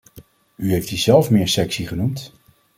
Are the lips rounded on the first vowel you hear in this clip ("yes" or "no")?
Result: yes